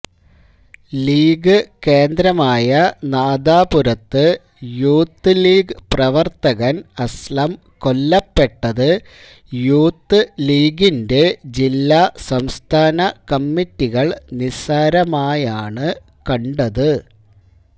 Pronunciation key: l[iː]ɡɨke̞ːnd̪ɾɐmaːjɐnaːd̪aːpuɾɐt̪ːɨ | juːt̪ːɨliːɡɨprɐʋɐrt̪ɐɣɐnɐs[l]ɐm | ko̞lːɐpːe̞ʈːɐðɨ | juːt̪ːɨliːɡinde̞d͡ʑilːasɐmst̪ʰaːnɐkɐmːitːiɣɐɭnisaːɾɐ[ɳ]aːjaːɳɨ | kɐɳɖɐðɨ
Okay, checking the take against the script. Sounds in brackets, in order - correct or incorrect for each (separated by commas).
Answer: correct, correct, incorrect